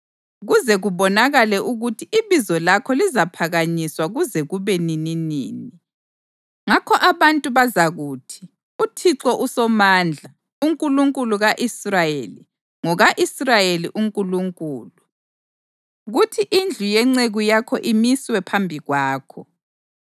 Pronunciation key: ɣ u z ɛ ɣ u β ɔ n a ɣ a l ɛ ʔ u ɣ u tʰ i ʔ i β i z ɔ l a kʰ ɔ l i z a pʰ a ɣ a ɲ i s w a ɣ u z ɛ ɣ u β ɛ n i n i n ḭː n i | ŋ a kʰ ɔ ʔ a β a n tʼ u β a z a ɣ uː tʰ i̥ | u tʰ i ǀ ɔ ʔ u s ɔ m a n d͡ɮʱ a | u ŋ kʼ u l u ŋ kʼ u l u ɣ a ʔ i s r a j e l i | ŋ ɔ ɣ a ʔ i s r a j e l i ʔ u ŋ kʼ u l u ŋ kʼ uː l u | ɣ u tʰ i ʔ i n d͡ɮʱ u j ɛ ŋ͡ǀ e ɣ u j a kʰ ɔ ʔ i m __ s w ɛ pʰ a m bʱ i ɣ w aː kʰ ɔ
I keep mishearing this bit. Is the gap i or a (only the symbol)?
i